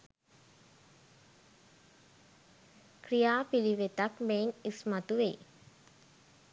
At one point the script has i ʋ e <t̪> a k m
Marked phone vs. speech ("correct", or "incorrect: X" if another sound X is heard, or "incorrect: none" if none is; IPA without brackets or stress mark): correct